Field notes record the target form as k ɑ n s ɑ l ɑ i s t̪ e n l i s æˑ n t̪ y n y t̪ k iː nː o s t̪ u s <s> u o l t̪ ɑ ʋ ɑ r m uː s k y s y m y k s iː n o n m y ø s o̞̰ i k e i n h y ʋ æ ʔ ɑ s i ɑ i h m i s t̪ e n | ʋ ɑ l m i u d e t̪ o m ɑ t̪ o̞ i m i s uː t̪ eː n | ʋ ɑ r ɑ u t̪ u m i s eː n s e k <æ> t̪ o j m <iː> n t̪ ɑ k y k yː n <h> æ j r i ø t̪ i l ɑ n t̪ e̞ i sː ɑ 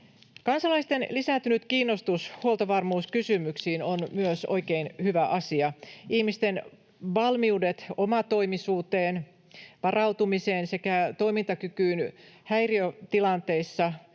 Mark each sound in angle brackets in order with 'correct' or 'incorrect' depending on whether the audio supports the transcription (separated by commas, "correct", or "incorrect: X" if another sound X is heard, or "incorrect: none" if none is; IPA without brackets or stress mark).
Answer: incorrect: h, correct, incorrect: i, correct